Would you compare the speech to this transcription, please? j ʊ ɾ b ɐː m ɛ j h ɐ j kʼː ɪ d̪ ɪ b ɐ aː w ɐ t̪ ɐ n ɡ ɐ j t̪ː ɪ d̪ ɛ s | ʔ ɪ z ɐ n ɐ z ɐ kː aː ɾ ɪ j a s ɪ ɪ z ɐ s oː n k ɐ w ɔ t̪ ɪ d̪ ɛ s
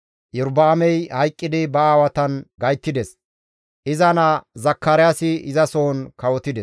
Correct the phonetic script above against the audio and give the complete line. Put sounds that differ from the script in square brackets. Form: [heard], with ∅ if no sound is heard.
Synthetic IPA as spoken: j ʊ ɾ b [aː] m ɛ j h ɐ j kʼː ɪ d̪ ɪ b ɐ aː w ɐ t̪ ɐ n ɡ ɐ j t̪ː ɪ d̪ ɛ s | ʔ ɪ z ɐ n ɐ z ɐ kː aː ɾ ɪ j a s ɪ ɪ z ɐ s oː n k ɐ w ɔ t̪ ɪ d̪ ɛ s